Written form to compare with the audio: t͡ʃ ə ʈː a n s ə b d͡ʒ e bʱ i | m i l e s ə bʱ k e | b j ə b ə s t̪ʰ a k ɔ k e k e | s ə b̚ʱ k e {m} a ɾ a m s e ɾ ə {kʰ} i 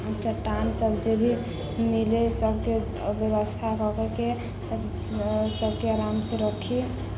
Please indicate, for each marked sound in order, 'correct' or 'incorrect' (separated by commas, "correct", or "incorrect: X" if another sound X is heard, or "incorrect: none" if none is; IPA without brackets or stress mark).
incorrect: none, correct